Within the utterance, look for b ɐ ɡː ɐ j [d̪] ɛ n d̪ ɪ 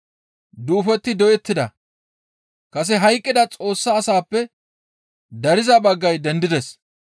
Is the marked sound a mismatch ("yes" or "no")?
no